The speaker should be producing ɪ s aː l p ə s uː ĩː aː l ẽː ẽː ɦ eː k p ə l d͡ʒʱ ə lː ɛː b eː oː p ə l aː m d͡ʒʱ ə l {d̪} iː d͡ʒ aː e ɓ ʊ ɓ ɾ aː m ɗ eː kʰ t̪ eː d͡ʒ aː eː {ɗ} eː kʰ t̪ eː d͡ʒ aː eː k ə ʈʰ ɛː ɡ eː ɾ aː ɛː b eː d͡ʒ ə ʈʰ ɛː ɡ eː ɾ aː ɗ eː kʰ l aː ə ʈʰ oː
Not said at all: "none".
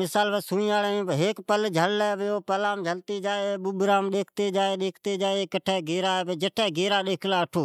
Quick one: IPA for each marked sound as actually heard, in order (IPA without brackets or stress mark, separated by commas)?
t̪, ɗ